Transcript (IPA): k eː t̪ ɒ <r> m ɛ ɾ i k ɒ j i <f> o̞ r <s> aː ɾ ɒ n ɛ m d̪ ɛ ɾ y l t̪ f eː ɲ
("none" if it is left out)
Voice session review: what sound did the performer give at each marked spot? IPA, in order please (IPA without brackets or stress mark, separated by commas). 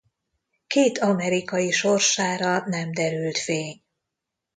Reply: none, ʃ, ʃ